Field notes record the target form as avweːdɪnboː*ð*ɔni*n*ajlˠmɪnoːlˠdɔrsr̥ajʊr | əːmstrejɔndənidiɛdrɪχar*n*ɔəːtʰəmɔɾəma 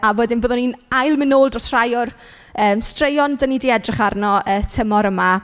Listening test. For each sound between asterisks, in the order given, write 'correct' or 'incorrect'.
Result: correct, correct, correct

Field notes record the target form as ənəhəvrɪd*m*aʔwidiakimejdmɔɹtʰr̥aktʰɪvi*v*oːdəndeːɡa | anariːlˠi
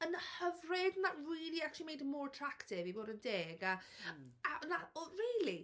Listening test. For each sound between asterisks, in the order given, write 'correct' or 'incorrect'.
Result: incorrect: n, incorrect: b

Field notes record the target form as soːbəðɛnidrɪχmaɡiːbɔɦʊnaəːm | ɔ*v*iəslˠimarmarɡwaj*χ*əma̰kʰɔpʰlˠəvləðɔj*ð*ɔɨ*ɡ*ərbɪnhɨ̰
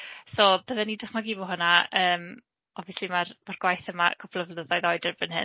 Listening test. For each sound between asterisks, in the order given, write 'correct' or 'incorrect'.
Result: correct, incorrect: θ, correct, incorrect: d

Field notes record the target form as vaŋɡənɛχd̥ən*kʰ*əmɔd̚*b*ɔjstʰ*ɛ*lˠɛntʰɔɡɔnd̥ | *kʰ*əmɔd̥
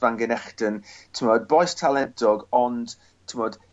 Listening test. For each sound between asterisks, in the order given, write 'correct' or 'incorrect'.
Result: incorrect: tʰ, correct, incorrect: a, incorrect: tʰ

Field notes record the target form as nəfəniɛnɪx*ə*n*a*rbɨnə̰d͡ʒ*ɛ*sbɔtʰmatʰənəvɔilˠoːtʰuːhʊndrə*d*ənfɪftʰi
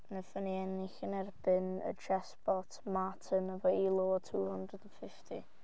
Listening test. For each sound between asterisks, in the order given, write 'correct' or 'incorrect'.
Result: correct, incorrect: ɛ, correct, correct

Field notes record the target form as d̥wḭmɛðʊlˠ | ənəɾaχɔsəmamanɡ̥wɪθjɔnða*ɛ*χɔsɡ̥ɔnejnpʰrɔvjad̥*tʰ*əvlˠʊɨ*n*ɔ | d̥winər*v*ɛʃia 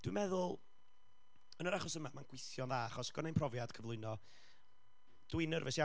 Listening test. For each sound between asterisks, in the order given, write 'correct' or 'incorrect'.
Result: incorrect: a, incorrect: kʰ, correct, correct

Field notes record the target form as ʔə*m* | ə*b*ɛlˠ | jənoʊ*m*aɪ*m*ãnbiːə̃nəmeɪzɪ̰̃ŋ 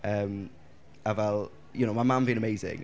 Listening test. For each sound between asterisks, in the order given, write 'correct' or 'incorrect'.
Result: correct, incorrect: v, correct, correct

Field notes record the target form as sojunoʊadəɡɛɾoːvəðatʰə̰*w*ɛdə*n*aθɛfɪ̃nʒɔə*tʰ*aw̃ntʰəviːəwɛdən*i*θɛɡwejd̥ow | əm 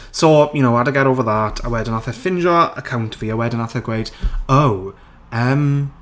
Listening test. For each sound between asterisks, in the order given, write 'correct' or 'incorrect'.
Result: correct, correct, incorrect: kʰ, incorrect: a

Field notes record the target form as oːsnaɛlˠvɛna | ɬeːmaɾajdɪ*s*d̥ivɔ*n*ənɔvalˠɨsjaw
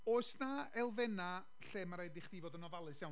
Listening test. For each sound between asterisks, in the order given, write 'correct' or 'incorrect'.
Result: incorrect: χ, incorrect: d

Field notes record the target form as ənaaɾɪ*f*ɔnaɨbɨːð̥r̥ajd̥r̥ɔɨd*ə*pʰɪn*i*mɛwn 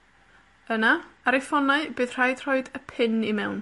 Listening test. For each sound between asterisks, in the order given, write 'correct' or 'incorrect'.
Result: correct, correct, correct

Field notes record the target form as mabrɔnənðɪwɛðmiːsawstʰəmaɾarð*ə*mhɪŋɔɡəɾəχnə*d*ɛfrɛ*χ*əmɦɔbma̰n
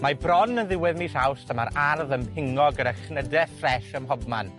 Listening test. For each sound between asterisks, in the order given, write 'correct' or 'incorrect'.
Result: correct, correct, incorrect: ʃ

